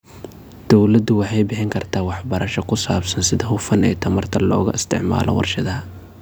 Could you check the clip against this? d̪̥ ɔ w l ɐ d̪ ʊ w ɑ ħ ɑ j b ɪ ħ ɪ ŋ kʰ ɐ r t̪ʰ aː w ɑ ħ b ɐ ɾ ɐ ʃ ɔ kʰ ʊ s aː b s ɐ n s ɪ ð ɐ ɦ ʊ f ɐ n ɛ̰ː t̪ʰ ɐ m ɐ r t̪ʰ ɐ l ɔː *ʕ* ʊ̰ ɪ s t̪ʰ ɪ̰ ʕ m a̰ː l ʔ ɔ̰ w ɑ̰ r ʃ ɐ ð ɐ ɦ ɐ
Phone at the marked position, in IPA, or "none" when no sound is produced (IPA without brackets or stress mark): ɣ